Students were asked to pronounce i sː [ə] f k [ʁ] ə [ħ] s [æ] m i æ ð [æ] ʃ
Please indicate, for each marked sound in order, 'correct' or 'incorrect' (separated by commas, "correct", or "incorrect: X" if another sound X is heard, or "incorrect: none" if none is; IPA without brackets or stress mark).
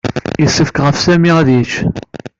correct, correct, incorrect: f, correct, incorrect: i